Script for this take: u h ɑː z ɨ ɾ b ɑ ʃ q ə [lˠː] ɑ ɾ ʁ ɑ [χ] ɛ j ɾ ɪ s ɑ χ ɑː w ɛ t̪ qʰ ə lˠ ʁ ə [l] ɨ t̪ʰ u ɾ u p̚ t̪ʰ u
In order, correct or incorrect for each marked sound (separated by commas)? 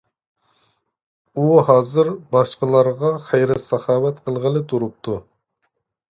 incorrect, correct, correct